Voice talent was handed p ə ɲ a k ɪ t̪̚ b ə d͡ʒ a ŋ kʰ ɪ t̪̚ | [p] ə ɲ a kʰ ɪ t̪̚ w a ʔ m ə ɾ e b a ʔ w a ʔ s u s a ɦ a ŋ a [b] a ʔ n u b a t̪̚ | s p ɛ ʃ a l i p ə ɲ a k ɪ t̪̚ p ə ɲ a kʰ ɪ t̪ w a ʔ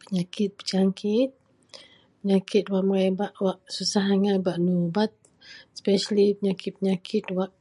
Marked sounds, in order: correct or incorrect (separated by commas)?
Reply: correct, correct